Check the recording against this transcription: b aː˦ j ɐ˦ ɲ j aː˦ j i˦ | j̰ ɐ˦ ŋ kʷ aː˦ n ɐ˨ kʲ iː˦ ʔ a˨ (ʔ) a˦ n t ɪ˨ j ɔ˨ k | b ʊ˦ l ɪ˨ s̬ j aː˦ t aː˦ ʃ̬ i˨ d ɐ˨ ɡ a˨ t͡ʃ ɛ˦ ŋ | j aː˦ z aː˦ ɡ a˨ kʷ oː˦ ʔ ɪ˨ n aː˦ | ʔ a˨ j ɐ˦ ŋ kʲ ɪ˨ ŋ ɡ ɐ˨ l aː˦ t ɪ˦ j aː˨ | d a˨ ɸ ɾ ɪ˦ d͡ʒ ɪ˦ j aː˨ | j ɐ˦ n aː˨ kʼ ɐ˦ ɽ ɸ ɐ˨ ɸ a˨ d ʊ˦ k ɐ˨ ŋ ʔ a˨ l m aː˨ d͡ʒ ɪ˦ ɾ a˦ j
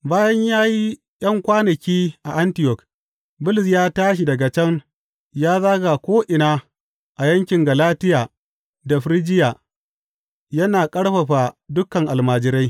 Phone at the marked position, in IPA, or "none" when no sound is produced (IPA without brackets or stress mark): ʔ